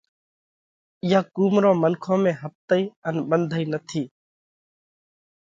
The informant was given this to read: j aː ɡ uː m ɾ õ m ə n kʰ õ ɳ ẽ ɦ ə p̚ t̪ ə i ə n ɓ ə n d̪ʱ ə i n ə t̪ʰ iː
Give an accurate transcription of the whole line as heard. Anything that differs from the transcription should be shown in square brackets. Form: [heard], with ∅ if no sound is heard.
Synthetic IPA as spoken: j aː [k] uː m ɾ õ m ə n kʰ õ [m] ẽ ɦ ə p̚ t̪ ə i ə n [b] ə n d̪ʱ ə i n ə t̪ʰ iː